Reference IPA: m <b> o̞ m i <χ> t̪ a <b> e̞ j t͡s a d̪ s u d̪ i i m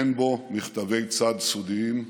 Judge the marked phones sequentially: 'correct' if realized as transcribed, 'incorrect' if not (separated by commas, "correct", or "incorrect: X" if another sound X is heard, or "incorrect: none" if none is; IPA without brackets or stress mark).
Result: correct, correct, incorrect: v